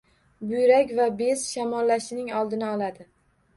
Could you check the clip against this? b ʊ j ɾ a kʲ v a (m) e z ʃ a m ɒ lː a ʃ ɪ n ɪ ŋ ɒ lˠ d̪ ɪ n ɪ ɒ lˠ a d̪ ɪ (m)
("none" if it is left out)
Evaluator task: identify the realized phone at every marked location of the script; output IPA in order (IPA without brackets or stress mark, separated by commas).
b, none